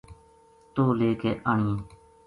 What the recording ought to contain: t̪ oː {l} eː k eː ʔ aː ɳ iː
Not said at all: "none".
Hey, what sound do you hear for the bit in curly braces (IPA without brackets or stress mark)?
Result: l